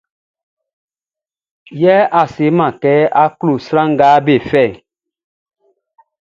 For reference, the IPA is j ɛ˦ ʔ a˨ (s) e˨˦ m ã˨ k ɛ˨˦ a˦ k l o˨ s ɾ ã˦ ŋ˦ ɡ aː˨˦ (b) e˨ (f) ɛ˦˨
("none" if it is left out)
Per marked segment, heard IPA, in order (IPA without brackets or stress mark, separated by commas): s, b, f